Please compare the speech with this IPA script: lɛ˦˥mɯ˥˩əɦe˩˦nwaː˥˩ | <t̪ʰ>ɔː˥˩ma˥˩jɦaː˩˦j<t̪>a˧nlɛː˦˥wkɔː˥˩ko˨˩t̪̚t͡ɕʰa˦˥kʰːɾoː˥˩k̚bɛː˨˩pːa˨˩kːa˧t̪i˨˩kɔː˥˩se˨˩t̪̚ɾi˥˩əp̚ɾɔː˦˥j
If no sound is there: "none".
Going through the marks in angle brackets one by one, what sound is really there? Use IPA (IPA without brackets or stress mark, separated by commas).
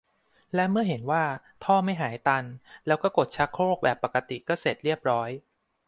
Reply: t̪ʰ, t̪